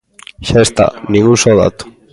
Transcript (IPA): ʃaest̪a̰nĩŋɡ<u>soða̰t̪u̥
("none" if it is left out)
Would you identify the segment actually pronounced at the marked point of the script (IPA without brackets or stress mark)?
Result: u